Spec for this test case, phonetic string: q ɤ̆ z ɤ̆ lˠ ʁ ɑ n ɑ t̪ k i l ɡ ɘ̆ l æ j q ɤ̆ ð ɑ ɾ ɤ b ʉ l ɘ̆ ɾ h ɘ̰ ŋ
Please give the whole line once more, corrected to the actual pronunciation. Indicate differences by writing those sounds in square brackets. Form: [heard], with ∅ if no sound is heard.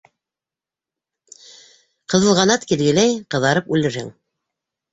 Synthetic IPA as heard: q ɤ̆ [ð] ɤ̆ lˠ ʁ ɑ n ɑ t̪ k i l ɡ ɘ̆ l æ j q ɤ̆ ð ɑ ɾ ɤ [p] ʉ l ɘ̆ ɾ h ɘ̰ ŋ